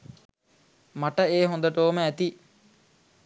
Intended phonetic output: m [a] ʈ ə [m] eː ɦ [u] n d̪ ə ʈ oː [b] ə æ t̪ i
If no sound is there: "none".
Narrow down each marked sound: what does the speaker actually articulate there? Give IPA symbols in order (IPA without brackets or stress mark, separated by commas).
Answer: a, none, o, m